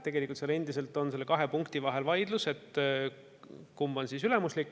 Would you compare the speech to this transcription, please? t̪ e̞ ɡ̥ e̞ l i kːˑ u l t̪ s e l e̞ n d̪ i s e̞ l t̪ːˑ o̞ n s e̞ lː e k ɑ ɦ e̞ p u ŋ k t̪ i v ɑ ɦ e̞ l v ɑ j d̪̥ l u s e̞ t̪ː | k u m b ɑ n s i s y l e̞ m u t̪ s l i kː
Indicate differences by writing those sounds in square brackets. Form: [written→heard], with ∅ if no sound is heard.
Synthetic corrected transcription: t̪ e̞ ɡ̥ e̞ l i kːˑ u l t̪ s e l e̞ n d̪ i s e̞ l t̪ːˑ o̞ n s e̞ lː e k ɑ ɦ e̞ p u ŋ k t̪ i v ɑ ɦ e̞ l v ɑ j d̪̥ l u s e̞ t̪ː | k u m b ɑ n s i s y l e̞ m u [t̪→∅] s l i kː